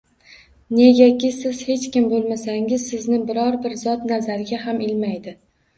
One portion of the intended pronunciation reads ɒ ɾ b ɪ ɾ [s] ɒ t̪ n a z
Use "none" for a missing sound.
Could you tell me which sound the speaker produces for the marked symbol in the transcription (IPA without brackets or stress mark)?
z